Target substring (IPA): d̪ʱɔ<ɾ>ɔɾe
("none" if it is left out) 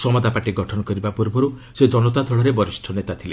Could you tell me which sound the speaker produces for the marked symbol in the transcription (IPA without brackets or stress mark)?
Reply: ɭ